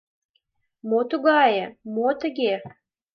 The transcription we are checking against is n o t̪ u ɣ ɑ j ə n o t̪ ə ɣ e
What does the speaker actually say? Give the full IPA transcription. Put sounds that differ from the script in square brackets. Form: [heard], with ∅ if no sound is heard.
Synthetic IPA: [m] o t̪ u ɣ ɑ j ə [m] o t̪ ə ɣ e